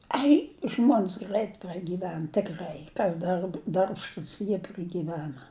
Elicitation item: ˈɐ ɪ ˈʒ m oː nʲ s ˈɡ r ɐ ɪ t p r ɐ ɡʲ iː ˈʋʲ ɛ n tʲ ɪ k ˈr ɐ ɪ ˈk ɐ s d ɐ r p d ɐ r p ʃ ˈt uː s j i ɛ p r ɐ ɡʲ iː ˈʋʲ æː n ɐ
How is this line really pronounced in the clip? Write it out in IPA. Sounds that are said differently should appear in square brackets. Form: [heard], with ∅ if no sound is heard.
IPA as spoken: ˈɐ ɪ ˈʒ m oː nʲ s ˈɡ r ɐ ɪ t p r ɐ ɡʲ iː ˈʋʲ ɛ n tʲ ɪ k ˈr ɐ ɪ ˈk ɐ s d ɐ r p d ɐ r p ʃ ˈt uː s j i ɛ p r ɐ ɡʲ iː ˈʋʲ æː n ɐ